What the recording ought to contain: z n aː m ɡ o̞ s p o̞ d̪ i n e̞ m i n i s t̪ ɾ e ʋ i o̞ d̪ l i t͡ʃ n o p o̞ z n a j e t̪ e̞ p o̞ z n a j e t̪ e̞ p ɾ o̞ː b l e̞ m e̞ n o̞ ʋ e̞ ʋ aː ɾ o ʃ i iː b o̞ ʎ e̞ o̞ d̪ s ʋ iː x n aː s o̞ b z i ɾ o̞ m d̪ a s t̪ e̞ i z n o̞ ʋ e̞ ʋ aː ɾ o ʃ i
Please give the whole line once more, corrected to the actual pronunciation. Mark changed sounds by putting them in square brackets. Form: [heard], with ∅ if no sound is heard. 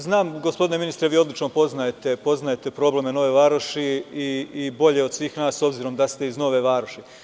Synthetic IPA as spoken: z n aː m ɡ o̞ s p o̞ d̪ i n e̞ m i n i s t̪ ɾ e ʋ [iː] o̞ d̪ l i t͡ʃ n o p o̞ z n a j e t̪ e̞ p o̞ z n a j e t̪ e̞ p ɾ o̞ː b l e̞ m e̞ n o̞ ʋ e̞ ʋ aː ɾ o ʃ i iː b o̞ ʎ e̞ o̞ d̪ s ʋ iː x n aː s o̞ b z i ɾ o̞ m d̪ a s t̪ e̞ i z n o̞ ʋ e̞ ʋ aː ɾ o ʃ i